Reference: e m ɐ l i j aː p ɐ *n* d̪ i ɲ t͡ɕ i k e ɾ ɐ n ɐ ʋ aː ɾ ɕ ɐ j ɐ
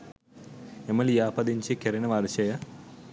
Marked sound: incorrect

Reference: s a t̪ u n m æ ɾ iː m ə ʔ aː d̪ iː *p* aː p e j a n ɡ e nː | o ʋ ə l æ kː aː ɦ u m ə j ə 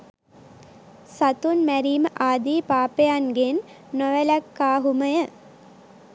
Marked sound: correct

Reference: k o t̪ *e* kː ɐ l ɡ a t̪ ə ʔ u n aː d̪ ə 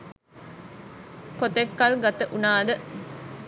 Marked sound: correct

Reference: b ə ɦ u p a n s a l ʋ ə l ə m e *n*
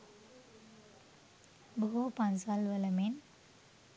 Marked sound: correct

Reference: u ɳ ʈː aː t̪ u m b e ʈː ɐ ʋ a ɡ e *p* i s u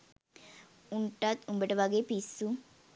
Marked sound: correct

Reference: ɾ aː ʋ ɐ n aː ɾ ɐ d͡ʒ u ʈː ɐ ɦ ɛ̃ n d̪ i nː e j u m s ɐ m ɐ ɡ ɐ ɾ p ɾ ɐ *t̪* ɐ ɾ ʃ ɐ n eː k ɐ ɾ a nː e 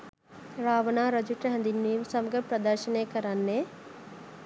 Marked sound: incorrect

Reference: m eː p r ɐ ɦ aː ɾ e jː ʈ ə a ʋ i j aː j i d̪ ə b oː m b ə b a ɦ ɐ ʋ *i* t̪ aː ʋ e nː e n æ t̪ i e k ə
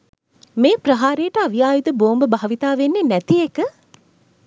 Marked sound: correct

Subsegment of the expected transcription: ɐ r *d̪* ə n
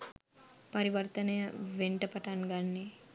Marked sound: incorrect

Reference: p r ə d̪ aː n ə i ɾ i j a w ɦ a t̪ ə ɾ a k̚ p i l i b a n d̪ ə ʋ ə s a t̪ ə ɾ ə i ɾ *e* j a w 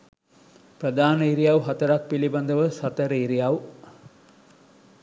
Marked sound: incorrect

